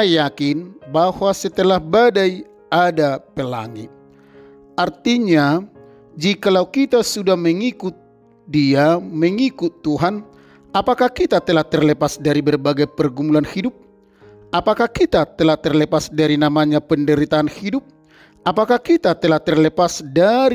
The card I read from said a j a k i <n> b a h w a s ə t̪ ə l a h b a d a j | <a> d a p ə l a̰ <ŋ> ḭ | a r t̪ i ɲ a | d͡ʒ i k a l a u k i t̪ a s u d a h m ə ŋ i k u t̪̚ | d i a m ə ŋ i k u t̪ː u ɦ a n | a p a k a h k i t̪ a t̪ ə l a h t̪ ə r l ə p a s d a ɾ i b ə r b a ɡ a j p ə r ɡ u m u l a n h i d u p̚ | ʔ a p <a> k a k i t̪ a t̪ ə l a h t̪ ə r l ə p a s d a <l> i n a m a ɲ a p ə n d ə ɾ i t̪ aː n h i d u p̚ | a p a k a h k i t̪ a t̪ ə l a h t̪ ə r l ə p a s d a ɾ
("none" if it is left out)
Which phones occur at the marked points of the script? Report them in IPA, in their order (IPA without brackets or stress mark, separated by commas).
n, a, ŋ, a, ɾ